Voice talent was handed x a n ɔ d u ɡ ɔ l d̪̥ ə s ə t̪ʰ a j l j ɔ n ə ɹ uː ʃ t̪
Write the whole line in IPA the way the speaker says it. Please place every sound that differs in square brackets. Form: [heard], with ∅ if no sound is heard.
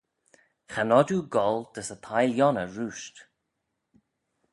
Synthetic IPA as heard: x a n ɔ d u ɡ ɔ l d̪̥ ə s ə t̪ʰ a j l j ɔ n ə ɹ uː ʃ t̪